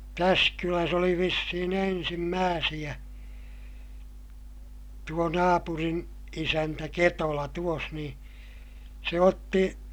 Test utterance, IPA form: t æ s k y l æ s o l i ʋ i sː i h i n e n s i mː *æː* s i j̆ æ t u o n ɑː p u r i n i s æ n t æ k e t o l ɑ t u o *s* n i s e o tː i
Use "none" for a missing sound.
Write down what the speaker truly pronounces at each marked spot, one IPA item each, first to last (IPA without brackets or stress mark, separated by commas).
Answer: æː, s